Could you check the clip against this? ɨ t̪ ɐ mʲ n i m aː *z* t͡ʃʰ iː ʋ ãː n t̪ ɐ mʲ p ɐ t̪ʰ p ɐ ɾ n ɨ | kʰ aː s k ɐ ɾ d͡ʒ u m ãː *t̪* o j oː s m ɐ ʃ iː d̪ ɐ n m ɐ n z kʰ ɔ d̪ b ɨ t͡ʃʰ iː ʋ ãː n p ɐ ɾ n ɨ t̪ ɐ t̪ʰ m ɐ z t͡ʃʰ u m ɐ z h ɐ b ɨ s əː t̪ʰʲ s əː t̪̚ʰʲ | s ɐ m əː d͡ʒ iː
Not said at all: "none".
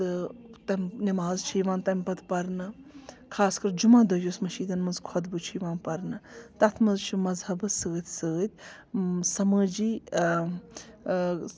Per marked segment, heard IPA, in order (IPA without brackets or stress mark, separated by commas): z, d̪